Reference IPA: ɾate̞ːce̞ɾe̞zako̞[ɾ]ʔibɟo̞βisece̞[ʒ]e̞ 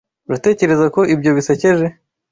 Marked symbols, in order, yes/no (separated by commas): no, yes